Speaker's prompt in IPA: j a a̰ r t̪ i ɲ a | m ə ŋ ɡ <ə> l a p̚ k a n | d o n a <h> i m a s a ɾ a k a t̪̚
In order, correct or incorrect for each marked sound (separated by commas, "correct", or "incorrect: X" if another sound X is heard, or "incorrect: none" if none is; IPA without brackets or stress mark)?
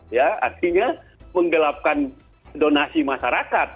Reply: correct, incorrect: s